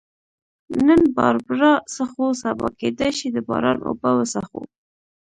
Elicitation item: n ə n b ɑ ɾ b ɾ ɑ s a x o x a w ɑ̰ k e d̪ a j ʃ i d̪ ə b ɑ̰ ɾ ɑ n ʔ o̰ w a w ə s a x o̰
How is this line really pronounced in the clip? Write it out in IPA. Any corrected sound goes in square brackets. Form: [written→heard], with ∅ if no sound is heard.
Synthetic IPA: n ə n b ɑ ɾ b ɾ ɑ s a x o [x→s] a [w→b] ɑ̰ k e d̪ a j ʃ i d̪ ə b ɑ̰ ɾ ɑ n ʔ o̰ [w→b] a w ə s a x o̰